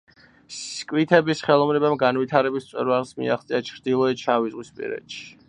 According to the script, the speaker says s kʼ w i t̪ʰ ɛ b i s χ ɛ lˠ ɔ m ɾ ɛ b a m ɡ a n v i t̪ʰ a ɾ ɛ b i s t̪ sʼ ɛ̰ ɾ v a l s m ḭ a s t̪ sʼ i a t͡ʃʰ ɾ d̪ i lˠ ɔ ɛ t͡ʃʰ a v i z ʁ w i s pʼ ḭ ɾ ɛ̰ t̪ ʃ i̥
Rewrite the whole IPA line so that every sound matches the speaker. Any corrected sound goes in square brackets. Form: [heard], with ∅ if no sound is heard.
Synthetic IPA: s kʼ w i t̪ʰ ɛ b i s χ ɛ lˠ ɔ m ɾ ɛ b a m ɡ a n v i t̪ʰ a ɾ ɛ b i s t̪ sʼ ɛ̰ ɾ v a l s m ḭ a [χ] t̪ sʼ i a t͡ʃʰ ɾ d̪ i lˠ ɔ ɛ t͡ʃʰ a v i z ʁ w i s pʼ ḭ ɾ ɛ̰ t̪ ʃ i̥